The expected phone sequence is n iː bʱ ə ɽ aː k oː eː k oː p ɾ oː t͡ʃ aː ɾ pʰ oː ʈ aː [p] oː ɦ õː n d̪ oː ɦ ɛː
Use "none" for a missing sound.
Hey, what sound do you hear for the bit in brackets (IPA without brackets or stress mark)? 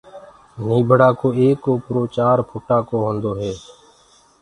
k